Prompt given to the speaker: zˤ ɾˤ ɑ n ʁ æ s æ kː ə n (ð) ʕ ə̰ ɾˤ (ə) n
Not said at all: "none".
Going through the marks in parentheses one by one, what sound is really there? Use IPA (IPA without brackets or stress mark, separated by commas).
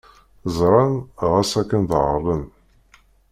ð, ə